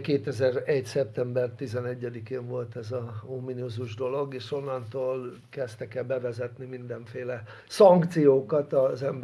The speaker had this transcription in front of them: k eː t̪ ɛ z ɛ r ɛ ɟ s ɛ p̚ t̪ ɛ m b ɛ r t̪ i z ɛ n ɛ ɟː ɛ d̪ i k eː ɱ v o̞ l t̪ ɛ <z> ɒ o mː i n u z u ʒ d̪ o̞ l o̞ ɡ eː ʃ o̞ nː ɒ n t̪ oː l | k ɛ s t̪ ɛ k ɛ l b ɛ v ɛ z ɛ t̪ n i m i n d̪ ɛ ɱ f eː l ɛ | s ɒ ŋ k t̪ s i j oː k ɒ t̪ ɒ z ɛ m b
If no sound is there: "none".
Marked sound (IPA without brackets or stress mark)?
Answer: z